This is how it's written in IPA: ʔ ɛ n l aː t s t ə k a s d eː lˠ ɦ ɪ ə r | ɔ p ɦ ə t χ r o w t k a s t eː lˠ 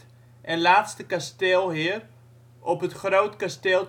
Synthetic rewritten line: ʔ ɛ n l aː t s t ə k a s t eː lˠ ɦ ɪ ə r | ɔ p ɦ ə t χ r o w t k a s t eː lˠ